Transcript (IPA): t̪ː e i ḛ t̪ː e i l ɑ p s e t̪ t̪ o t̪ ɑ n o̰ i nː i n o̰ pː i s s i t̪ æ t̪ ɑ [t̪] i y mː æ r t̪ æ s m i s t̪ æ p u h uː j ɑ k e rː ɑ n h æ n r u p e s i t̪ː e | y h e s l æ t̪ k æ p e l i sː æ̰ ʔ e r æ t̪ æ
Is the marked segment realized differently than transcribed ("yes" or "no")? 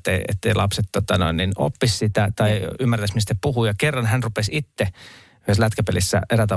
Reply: yes